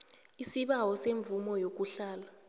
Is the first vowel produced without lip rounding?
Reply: yes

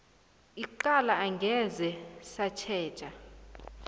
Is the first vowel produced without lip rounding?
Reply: yes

